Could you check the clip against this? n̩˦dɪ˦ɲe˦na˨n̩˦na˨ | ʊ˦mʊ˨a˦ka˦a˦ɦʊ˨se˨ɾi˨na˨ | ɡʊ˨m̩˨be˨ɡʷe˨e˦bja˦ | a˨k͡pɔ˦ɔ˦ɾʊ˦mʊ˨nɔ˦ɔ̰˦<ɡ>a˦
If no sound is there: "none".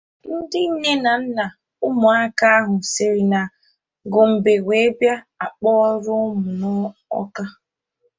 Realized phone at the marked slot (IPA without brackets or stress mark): k